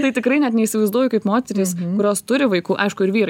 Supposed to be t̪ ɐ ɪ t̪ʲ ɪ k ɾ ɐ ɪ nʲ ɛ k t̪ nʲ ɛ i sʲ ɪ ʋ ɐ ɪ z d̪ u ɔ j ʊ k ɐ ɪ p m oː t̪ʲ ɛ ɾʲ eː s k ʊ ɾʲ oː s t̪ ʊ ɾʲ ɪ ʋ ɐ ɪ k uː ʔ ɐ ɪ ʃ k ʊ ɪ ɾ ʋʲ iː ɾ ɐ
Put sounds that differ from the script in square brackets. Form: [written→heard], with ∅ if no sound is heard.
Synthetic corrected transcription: t̪ ɐ ɪ t̪ʲ ɪ k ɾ ɐ ɪ nʲ ɛ [k→∅] t̪ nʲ ɛ i sʲ ɪ ʋ ɐ ɪ z d̪ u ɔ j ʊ k ɐ ɪ p m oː t̪ʲ ɛ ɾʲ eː s k ʊ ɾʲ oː s t̪ ʊ ɾʲ ɪ ʋ ɐ ɪ k uː ʔ ɐ ɪ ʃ k ʊ ɪ ɾ ʋʲ iː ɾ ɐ